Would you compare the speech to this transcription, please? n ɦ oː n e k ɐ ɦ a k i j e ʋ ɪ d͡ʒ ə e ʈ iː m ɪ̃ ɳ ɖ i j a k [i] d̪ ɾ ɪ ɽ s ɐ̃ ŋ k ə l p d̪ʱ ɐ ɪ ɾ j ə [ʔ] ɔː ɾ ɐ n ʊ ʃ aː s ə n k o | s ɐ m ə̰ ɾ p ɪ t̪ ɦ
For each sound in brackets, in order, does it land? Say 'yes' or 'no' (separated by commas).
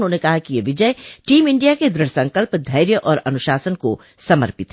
no, yes